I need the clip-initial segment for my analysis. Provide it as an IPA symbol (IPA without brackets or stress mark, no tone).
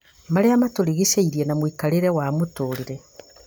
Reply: m